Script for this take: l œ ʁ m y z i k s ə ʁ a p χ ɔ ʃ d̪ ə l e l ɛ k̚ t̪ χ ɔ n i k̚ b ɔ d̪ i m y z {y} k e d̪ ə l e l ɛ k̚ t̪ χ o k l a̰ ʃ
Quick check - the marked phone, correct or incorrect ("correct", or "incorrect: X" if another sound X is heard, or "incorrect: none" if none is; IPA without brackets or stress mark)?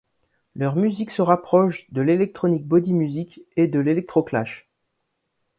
incorrect: i